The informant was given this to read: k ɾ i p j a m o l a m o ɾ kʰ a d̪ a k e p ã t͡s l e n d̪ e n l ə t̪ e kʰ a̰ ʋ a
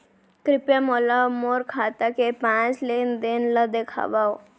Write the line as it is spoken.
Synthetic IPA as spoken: k ɾ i p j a m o l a m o ɾ kʰ a t̪ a k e p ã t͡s l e n d̪ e n l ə d̪ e kʰ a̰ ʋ a